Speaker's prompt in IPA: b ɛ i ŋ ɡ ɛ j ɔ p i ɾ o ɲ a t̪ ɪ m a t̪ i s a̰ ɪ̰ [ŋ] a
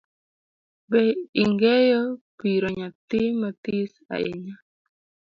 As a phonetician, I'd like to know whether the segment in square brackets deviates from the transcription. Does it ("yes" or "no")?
yes